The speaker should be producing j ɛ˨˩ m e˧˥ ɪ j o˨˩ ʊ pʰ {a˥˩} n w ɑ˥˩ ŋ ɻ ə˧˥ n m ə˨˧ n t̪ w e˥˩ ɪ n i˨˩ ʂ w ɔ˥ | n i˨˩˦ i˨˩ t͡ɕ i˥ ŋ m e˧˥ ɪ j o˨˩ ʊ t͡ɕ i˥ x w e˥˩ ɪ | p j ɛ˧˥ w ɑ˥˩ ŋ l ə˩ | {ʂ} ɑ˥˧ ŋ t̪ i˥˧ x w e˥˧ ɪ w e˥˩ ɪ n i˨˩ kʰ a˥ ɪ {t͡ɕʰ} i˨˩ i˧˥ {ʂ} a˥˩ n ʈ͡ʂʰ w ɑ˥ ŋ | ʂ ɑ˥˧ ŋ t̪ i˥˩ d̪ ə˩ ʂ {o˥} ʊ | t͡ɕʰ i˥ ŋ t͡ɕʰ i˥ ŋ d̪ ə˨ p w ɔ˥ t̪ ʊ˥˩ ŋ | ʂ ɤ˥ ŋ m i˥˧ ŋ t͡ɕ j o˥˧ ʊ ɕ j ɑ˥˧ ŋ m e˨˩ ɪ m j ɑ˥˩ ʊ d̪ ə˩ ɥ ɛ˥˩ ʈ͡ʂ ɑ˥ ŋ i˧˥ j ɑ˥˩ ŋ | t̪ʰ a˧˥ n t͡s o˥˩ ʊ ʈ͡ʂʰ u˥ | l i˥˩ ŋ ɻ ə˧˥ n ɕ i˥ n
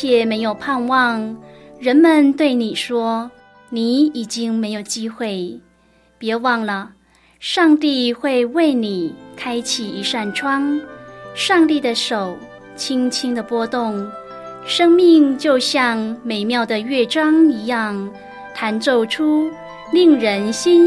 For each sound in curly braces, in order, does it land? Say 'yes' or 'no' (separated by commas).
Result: no, yes, yes, yes, no